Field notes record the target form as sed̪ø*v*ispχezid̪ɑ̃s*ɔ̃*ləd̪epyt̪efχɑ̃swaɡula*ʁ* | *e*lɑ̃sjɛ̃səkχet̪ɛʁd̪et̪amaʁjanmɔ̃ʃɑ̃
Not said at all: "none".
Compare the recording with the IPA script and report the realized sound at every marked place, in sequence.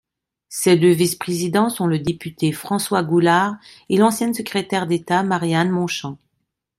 v, ɔ̃, ʁ, e

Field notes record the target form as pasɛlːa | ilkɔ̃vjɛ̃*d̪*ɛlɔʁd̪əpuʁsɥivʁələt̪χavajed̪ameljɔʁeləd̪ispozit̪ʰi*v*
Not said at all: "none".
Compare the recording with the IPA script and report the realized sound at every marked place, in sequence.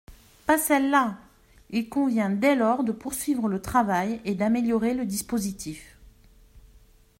d̪, f

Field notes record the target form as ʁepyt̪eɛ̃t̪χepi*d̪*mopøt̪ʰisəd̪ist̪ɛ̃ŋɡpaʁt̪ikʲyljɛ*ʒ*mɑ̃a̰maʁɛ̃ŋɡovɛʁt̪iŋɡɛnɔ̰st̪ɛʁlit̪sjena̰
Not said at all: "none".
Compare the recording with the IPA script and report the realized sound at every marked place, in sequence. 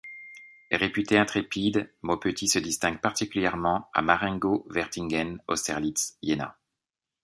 d̪, ʁ

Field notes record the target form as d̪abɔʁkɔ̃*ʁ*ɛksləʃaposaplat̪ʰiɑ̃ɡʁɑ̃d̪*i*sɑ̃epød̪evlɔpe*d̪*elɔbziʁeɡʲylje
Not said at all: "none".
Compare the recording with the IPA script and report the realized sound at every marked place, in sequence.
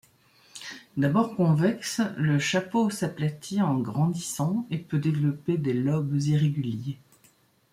v, i, d̪

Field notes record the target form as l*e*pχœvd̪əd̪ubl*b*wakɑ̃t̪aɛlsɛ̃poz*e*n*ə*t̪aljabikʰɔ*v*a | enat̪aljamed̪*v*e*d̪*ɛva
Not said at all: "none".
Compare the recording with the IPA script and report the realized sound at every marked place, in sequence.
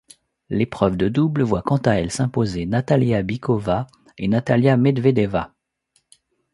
e, v, e, a, v, v, d̪

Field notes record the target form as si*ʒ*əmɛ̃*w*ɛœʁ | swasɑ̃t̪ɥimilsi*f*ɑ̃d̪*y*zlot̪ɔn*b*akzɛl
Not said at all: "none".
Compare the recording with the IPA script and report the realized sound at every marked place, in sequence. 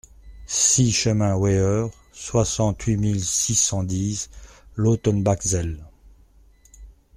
ʃ, w, s, i, b

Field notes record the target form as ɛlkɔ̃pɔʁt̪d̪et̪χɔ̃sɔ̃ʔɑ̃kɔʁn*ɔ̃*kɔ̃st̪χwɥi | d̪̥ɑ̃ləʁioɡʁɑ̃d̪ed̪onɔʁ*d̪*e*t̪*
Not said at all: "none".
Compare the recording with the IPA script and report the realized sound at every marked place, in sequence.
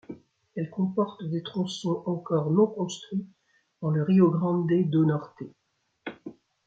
ɔ̃, t̪, none

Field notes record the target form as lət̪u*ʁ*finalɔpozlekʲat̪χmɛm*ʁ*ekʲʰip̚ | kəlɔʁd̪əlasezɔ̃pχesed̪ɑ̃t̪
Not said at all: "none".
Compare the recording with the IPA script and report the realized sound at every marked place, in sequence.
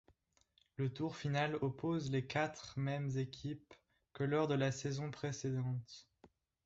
ʁ, z

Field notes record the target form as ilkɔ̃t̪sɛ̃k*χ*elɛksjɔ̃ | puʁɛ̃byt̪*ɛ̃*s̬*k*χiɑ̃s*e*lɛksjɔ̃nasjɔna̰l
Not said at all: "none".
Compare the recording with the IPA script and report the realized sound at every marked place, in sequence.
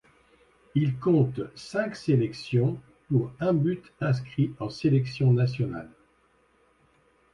s, ɛ̃, k, e

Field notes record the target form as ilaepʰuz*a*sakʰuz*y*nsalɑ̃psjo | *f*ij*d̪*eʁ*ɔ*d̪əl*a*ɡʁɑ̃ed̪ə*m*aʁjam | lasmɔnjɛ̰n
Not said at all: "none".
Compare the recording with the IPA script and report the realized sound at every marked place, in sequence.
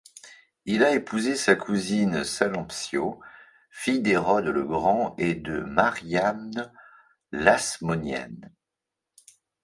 e, i, f, d̪, ɔ, ə, m

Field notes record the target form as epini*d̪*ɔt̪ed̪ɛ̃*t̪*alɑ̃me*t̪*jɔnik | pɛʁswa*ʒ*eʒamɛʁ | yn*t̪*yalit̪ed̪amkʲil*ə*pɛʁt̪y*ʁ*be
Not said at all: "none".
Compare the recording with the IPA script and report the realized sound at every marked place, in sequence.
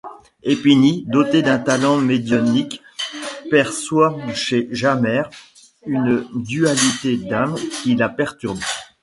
d̪, t̪, d̪, ʃ, d̪, a, ʁ

